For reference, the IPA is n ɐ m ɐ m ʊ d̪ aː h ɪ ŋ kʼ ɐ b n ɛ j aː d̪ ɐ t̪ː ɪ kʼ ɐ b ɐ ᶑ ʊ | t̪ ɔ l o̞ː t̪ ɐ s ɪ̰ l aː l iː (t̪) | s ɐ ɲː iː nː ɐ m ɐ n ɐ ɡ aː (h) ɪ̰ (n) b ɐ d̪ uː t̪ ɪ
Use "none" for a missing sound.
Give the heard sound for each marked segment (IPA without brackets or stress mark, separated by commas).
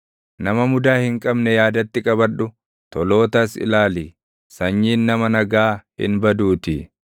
none, h, n